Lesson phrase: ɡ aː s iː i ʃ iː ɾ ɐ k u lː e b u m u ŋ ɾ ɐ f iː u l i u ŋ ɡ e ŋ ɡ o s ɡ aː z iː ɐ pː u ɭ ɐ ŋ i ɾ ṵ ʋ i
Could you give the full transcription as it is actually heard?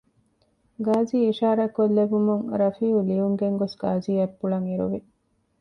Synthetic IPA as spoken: ɡ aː z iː i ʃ aː ɾ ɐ k o lː e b u m u ŋ ɾ ɐ f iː u l i u ŋ ɡ e ŋ ɡ o s ɡ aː z iː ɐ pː u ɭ ɐ ŋ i ɾ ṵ ʋ i